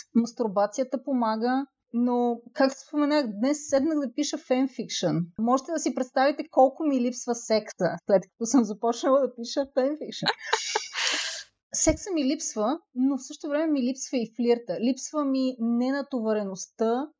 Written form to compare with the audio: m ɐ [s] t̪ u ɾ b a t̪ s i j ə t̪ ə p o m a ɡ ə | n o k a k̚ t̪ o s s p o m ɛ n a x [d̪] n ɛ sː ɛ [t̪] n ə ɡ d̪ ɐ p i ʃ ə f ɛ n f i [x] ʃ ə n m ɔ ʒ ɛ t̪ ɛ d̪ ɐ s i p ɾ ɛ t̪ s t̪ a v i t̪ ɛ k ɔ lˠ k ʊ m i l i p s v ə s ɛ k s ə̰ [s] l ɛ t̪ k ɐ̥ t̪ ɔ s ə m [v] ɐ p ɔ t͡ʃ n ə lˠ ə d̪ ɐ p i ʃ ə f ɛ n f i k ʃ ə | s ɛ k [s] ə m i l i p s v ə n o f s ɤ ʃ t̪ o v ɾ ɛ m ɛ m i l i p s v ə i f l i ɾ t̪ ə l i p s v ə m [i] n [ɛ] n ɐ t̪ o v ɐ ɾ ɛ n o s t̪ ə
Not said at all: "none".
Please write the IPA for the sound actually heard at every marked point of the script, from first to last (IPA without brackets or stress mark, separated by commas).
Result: s, d̪, d̪, k, s, z, s, i, ɛ